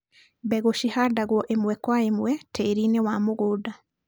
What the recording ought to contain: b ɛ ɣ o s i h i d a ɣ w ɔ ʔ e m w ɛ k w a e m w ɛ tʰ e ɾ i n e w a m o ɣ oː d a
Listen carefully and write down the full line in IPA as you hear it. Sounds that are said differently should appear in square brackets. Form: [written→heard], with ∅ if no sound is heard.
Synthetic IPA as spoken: b ɛ ɣ o [s→ʃ] i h [i→a] d a ɣ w ɔ ʔ e m w ɛ k w a e m w ɛ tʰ e ɾ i n e w a m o ɣ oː d a